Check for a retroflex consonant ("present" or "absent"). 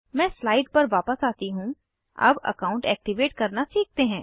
present